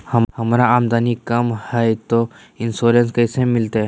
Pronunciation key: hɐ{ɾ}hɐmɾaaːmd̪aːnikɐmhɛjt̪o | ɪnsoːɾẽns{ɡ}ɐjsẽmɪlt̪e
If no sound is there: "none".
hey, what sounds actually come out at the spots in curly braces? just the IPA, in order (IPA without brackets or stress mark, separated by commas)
none, k